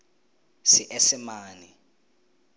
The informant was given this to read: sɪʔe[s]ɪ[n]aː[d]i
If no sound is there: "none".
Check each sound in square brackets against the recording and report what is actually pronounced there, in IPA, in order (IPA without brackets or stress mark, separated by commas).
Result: s, m, n